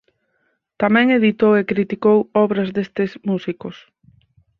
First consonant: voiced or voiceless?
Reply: voiceless